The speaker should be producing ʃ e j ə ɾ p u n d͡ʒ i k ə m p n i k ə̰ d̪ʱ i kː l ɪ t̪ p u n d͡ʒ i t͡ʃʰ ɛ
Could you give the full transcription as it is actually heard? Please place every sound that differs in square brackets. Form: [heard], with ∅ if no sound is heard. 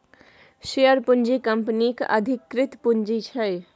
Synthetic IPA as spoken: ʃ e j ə ɾ p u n d͡ʒ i k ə m p n i k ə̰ d̪ʱ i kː [ɾ] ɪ t̪ p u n d͡ʒ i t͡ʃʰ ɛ